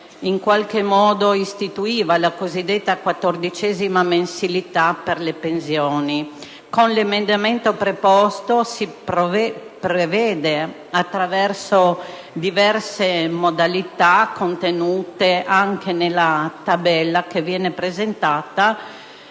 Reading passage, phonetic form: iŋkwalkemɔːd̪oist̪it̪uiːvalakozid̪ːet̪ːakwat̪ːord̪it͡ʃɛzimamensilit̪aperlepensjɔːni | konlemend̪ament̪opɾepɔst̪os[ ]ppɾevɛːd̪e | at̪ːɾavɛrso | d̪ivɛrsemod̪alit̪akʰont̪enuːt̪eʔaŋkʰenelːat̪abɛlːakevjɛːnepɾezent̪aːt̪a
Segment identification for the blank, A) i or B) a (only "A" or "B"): A